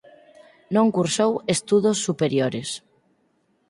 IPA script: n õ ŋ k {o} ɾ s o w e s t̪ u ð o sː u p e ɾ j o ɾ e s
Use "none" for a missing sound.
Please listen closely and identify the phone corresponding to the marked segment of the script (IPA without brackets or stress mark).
u